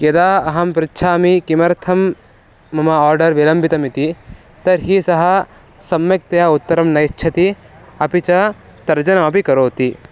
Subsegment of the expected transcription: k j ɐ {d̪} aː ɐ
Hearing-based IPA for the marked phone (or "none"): d̪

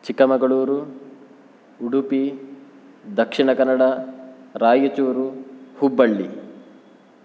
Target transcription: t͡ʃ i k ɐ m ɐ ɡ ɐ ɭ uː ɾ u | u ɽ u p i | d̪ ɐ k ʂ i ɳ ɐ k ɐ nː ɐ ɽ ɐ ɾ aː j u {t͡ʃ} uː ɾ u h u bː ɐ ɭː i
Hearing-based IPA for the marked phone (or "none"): t͡ʃ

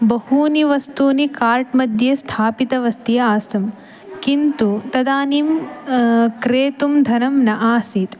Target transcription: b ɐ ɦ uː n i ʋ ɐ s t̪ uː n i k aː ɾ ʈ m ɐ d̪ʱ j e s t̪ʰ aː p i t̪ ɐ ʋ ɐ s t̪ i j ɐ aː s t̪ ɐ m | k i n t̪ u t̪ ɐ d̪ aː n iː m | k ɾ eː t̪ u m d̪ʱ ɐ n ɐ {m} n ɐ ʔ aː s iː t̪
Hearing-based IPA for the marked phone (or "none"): m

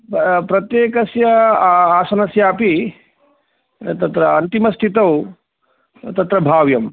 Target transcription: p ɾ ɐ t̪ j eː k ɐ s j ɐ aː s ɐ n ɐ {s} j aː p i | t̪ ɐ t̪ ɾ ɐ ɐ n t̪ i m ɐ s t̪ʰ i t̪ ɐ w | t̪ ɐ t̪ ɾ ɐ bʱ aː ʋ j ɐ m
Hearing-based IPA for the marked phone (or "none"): s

